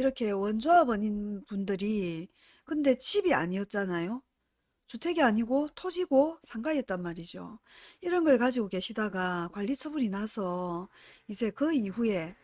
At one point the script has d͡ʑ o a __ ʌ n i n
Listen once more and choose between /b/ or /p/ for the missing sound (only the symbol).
b